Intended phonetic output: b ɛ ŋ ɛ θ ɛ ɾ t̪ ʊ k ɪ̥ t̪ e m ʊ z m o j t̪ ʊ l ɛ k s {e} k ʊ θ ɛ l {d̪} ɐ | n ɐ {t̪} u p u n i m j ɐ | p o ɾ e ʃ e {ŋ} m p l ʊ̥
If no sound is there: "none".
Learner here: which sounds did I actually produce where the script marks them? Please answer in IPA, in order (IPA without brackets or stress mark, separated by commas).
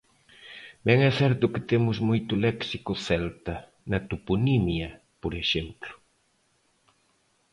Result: i, t̪, t̪, none